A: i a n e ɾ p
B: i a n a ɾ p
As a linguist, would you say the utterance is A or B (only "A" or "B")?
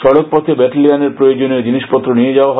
A